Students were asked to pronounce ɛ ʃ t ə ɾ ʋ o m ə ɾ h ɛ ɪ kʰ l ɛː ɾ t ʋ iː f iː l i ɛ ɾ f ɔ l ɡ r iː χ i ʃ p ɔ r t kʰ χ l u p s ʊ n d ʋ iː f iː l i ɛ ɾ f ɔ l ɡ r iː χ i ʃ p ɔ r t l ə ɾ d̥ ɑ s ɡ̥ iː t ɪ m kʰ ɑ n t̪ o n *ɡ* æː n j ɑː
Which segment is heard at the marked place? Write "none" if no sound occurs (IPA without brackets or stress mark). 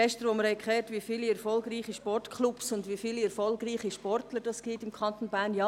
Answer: b